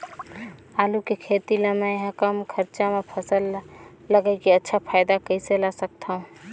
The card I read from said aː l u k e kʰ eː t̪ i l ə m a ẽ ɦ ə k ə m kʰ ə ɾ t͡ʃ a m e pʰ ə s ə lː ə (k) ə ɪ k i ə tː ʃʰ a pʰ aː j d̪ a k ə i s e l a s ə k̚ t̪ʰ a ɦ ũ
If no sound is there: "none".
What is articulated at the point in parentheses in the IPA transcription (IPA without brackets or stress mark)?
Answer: ɡ